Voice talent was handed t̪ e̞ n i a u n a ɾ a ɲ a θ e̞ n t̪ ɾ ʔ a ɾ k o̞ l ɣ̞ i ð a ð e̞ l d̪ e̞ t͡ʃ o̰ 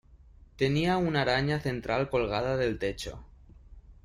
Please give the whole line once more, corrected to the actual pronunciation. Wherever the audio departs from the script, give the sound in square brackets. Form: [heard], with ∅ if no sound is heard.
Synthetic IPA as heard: t̪ e̞ n i a u n a ɾ a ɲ a θ e̞ n t̪ ɾ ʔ a [l] k o̞ l ɣ̞ [a] ð a ð e̞ l [t̪] e̞ t͡ʃ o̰